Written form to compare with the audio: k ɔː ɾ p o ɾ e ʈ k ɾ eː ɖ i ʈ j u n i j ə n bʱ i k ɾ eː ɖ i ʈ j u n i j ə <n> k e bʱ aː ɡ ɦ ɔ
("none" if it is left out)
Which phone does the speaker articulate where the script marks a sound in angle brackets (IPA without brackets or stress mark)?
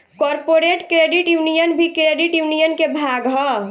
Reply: n